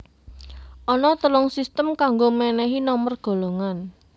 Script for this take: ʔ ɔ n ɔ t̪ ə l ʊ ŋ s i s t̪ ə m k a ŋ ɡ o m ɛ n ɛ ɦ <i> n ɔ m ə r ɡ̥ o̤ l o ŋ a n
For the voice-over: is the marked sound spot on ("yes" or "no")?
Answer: yes